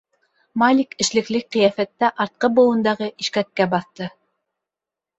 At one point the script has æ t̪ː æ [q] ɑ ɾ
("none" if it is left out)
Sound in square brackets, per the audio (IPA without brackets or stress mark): ʔ